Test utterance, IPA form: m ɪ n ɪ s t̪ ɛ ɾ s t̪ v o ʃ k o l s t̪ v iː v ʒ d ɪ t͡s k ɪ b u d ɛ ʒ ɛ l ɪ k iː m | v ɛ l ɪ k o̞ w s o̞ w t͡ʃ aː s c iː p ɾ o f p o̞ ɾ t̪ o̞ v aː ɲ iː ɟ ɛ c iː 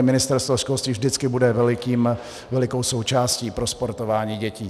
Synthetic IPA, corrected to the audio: m ɪ n ɪ s t̪ ɛ ɾ s t̪ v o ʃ k o l s t̪ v iː v ʒ d ɪ t͡s k ɪ b u d ɛ v ɛ l ɪ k iː m | v ɛ l ɪ k o̞ w s o̞ w t͡ʃ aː s c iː p ɾ o s p o̞ ɾ t̪ o̞ v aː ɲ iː ɟ ɛ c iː